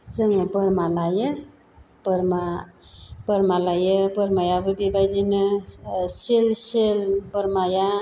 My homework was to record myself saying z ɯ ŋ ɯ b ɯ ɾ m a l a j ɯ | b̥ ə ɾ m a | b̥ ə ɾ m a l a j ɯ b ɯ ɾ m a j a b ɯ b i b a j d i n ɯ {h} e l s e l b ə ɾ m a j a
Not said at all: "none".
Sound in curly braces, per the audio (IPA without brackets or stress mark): s